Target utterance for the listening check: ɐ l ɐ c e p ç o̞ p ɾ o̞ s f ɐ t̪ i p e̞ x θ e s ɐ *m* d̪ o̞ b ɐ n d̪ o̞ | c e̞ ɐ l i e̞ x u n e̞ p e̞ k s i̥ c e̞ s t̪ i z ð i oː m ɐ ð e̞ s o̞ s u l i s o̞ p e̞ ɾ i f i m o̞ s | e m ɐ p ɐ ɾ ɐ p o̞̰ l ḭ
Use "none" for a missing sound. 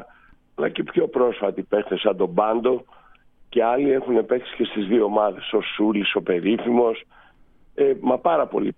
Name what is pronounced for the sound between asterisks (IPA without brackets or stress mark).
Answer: n